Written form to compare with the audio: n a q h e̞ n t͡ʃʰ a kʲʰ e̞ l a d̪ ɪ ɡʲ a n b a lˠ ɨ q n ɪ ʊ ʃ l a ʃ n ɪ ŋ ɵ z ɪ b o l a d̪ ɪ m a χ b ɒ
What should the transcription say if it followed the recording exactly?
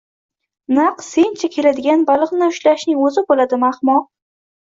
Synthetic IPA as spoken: n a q s e̞ n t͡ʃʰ a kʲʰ e̞ l a d̪ ɪ ɡʲ a n b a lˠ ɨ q n ɪ ʊ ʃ l a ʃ n ɪ ŋ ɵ z ɪ b o l a d̪ ɪ m a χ m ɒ